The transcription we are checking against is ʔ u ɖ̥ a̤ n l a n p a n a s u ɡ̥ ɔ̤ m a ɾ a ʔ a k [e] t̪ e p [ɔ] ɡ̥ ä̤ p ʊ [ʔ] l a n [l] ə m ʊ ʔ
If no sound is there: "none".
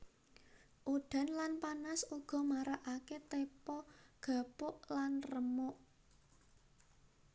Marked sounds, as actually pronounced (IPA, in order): e, ɔ, ʔ, r

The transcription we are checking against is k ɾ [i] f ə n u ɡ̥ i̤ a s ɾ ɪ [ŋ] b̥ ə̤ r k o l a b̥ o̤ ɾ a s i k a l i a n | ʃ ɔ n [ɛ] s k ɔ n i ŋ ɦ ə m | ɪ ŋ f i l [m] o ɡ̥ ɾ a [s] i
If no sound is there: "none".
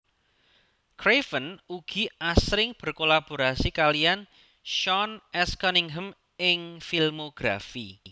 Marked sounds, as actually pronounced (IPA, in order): e, ŋ, ɛ, m, f

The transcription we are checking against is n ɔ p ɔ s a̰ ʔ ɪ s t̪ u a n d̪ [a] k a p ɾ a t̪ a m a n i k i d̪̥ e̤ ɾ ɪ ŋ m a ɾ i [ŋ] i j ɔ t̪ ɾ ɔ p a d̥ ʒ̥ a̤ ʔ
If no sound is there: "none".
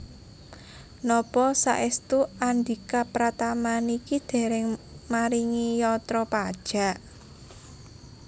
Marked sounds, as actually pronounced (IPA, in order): i, ŋ

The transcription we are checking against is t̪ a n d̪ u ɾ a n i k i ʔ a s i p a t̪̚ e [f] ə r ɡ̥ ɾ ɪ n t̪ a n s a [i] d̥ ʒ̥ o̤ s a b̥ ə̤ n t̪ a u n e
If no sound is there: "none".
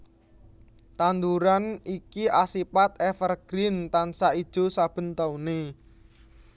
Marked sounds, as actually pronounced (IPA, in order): f, i

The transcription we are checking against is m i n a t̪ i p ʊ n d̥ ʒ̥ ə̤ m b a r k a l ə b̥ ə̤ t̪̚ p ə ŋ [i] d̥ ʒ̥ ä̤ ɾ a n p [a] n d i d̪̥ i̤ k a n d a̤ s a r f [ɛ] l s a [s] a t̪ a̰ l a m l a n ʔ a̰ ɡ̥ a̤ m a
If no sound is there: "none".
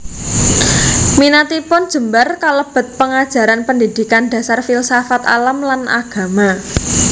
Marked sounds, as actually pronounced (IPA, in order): a, ə, i, f

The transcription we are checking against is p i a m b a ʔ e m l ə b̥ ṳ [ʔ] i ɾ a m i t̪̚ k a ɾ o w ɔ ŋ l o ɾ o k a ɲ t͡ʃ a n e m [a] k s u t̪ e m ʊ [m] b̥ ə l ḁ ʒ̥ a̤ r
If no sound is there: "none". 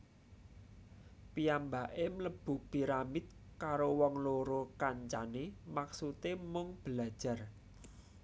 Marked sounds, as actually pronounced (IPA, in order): p, a, ŋ

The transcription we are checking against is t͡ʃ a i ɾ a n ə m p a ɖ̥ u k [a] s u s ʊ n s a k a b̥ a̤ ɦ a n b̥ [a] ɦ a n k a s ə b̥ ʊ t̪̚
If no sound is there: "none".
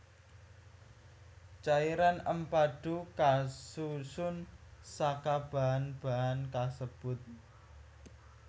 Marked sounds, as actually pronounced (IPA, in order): a, a

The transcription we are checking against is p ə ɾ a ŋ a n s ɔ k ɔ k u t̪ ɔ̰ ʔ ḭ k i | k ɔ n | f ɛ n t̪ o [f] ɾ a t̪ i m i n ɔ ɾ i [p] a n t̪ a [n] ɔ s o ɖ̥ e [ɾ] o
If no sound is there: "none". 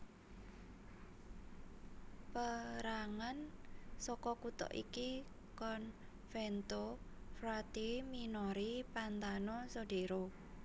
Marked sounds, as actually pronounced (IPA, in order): f, p, n, ɾ

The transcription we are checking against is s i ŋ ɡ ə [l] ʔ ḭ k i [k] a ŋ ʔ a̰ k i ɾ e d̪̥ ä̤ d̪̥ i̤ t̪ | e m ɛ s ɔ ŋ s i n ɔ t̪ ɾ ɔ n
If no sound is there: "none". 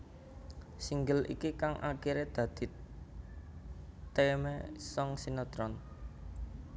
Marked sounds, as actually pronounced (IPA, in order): l, k

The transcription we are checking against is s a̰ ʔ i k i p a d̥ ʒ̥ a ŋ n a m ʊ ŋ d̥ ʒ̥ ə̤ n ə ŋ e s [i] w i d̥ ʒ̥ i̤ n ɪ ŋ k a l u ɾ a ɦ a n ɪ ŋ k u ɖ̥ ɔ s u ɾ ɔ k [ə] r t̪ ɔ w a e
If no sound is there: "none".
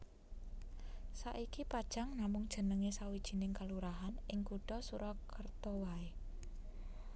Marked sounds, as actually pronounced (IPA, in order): a, ə

